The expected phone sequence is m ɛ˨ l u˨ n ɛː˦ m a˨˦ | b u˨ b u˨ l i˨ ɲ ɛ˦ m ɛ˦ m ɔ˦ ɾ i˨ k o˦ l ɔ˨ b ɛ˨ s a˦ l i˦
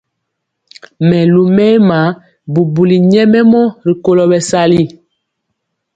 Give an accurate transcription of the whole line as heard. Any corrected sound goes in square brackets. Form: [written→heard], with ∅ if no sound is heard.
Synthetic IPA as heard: m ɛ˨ l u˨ [n→m] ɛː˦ m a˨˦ | b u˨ b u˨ l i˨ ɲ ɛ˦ m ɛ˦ m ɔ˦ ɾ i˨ k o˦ l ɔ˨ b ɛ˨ s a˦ l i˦